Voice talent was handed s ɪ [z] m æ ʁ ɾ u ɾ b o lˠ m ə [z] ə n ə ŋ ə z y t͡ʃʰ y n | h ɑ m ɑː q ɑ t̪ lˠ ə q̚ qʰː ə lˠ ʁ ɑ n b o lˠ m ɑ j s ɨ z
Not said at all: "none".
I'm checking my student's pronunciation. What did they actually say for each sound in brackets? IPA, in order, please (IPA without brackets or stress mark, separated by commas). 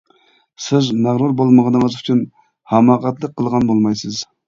z, ʁ